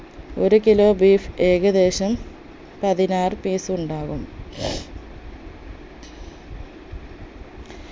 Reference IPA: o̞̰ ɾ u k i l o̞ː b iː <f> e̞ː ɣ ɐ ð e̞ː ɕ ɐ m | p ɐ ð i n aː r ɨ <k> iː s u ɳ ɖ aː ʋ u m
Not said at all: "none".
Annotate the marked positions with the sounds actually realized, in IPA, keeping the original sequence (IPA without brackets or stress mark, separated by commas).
f, p